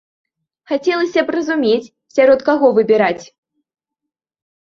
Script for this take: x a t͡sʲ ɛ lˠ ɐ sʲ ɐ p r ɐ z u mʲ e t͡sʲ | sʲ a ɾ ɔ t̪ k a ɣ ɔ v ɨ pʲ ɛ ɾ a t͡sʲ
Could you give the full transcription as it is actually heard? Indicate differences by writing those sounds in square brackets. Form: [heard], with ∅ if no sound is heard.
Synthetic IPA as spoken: x a t͡sʲ ɛ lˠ ɐ sʲ ɐ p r ɐ z u mʲ e t͡sʲ | sʲ a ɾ ɔ t̪ k a ɣ ɔ v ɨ [bʲ] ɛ ɾ a t͡sʲ